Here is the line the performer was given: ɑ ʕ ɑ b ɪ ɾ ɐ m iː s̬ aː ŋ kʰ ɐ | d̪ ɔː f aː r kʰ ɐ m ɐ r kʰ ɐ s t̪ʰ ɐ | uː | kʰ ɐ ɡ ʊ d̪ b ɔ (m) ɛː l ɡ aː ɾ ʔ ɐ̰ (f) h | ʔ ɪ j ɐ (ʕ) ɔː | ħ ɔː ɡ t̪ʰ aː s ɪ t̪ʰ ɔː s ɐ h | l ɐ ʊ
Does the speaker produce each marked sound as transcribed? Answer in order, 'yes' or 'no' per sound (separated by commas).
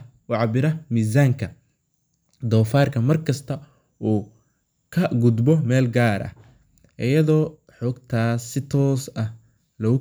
yes, no, no